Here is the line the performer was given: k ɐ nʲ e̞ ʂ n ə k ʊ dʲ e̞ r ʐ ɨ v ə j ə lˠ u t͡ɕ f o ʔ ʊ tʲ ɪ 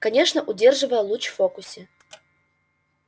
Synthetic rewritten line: k ɐ nʲ e̞ ʂ n ə ʔ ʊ dʲ e̞ r ʐ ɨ v ə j ə lˠ u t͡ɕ f o k ʊ sʲ ɪ